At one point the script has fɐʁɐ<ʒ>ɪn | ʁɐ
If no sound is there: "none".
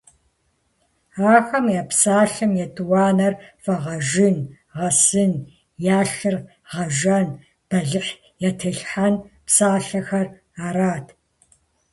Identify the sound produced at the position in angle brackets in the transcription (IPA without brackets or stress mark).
ʒ